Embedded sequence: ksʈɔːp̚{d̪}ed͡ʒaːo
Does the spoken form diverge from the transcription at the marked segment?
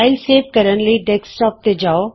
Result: yes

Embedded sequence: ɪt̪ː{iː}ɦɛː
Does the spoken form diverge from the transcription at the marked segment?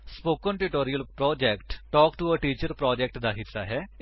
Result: yes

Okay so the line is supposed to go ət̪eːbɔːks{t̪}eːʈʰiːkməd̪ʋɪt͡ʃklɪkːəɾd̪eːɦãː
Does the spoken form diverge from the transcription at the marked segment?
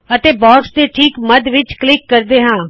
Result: yes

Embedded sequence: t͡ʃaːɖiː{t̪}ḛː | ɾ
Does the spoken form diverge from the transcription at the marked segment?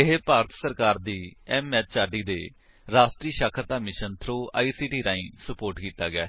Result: yes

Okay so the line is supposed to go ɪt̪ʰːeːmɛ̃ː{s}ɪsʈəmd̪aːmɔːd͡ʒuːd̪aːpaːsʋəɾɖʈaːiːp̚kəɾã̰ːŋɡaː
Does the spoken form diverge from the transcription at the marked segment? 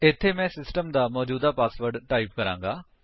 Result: no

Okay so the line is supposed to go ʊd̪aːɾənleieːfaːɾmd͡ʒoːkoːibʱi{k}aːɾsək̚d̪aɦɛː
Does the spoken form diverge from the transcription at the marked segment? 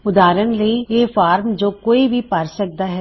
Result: yes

